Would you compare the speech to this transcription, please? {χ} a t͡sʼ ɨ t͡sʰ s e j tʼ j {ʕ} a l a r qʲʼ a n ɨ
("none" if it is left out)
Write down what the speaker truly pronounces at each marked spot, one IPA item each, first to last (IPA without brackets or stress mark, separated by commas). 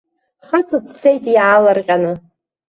χ, ʕ